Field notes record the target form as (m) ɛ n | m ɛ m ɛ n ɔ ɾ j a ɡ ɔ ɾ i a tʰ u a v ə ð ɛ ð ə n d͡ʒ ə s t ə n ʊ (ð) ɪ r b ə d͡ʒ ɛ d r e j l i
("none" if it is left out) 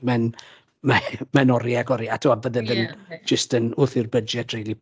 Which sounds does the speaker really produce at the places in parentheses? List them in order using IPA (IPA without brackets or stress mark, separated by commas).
m, θ